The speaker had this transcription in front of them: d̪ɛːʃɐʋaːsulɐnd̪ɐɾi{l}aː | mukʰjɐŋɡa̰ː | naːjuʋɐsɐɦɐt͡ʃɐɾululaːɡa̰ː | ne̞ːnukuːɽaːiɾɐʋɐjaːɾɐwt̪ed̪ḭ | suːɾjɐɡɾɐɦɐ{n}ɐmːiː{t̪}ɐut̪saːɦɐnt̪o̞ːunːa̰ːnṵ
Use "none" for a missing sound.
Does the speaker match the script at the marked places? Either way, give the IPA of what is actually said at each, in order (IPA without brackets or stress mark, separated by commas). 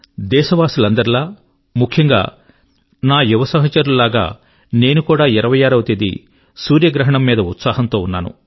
l, ɳ, d̪